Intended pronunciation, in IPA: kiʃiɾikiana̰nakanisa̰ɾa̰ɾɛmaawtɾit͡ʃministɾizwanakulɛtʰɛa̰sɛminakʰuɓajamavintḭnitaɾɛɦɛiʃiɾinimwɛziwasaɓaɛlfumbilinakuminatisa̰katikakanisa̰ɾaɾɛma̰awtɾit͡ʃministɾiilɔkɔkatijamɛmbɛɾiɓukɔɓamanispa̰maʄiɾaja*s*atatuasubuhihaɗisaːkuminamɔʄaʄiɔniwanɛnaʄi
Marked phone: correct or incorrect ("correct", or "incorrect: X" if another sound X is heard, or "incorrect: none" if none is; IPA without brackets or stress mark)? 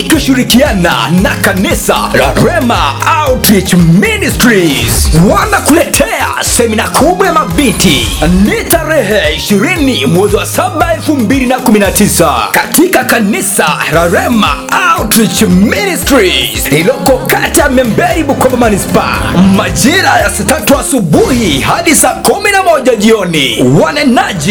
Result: correct